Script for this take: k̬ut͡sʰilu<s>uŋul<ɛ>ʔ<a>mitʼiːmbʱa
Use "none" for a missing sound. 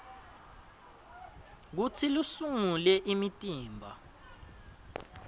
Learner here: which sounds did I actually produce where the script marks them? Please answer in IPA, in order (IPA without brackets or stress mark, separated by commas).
s, ɛ, i